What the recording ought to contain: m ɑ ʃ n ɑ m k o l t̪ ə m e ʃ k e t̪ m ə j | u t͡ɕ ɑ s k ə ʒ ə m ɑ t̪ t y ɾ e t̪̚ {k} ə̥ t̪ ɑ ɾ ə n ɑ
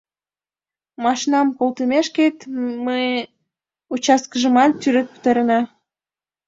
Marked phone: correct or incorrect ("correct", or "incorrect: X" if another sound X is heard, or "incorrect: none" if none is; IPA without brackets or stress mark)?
incorrect: p